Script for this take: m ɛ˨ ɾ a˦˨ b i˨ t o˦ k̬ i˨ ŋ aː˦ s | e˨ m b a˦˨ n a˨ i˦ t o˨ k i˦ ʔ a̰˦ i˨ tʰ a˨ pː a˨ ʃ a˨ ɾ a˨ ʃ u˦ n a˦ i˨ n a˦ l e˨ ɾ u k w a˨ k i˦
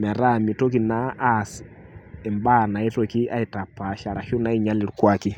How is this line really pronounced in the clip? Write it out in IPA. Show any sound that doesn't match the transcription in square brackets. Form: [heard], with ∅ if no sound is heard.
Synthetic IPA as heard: m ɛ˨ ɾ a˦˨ [m] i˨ t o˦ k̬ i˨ [n] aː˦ s | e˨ m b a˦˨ n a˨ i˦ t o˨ k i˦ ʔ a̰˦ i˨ [t] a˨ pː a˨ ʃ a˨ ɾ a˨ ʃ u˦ n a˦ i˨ [ɲ] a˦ l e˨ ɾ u k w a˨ k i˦